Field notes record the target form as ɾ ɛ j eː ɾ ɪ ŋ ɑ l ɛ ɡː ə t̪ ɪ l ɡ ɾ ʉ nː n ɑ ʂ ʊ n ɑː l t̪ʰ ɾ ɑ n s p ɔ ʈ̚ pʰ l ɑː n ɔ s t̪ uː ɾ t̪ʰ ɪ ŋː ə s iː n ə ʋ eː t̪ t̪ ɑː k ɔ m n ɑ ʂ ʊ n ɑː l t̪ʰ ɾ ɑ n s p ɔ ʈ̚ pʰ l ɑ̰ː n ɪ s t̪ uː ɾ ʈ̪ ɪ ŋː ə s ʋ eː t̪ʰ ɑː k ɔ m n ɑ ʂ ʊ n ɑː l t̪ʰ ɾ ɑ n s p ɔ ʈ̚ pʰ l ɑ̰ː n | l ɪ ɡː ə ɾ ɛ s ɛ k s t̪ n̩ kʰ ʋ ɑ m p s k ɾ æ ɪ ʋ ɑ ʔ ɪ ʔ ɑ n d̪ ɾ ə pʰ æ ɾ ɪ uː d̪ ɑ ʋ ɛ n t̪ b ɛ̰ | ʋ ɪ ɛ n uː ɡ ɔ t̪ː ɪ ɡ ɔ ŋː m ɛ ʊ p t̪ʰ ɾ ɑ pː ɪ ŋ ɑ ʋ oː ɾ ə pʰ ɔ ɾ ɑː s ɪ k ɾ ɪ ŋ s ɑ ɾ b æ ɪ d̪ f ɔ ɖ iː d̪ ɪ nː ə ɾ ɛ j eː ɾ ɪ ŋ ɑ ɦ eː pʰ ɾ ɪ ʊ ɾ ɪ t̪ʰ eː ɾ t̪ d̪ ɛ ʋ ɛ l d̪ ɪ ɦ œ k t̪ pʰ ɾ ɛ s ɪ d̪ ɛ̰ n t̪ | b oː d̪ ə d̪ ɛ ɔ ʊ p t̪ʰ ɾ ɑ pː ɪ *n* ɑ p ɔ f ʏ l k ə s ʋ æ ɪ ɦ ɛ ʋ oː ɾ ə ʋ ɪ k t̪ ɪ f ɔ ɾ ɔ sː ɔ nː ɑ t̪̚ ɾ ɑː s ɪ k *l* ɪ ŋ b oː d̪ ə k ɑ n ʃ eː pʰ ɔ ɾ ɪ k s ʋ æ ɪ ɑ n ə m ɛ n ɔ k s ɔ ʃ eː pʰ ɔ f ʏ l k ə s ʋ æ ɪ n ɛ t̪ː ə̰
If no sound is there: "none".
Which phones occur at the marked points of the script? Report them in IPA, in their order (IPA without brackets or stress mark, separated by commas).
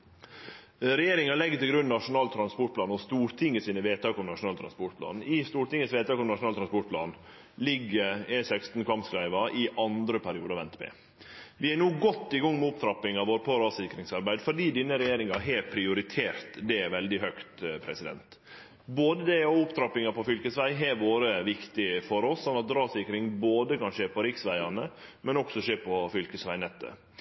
ŋ, ɾ